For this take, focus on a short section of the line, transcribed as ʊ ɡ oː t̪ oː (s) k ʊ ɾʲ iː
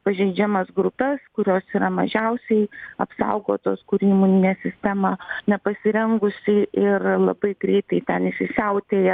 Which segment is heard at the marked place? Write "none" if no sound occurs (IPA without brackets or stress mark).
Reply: s